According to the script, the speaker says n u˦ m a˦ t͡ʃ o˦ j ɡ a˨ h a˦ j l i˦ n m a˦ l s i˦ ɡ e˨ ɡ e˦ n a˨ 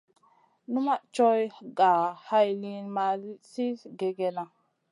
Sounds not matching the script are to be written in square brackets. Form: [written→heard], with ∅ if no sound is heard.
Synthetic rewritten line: n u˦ m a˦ t͡ʃ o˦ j ɡ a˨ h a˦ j l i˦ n m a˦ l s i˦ ɡ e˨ ɡ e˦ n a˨